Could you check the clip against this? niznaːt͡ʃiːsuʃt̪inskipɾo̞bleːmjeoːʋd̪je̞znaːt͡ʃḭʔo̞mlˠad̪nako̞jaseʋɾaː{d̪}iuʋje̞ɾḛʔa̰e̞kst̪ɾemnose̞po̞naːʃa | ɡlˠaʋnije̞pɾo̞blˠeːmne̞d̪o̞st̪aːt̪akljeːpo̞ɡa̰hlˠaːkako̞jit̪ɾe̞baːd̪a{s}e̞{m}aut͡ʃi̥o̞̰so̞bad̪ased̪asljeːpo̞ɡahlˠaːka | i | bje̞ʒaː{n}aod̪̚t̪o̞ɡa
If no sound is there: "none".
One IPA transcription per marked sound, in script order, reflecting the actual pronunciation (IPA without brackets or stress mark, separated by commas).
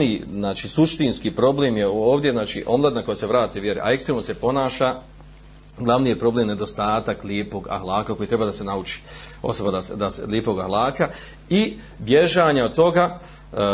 t̪, s, n, ɲ